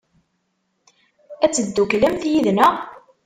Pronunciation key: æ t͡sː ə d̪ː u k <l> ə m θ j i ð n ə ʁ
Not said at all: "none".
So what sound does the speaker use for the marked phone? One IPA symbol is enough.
l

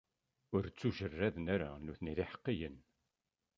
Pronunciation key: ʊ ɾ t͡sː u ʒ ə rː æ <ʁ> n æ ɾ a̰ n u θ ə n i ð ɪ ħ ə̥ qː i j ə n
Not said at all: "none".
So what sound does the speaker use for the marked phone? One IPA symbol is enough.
ð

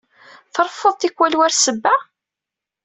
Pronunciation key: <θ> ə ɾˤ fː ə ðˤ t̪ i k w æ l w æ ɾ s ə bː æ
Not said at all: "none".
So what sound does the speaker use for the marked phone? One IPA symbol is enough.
θ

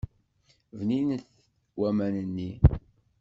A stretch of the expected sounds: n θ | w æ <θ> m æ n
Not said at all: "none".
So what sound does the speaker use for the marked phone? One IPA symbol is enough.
none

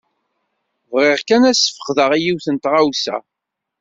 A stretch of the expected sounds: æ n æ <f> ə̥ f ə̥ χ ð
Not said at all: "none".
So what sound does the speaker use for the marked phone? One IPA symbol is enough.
s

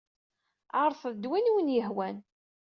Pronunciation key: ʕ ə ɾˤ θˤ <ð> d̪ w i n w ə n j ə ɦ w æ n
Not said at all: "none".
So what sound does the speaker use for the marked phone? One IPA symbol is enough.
ð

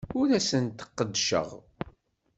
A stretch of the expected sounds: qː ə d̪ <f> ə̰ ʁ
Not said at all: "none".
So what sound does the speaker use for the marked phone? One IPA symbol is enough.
ʃ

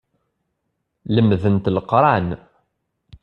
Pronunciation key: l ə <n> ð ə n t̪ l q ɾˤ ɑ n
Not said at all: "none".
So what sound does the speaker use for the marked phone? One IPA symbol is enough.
m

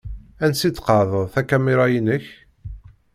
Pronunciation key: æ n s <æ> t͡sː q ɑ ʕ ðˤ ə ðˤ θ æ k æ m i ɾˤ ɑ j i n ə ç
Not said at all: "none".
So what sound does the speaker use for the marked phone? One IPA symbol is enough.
i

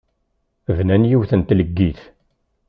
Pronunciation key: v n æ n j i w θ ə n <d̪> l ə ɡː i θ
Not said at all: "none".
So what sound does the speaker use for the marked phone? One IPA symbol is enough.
t̪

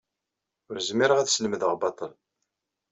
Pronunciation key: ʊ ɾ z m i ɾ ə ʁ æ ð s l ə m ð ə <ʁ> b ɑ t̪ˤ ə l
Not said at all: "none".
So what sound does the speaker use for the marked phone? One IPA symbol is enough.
ʁ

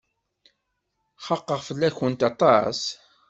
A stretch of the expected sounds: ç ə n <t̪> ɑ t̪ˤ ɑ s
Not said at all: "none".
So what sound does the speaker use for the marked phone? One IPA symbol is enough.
t̪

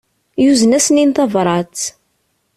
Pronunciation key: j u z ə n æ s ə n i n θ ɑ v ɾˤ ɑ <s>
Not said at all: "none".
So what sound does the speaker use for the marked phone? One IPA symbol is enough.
t͡s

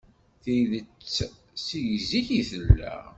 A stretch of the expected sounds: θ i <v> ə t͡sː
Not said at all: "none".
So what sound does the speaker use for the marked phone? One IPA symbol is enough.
ð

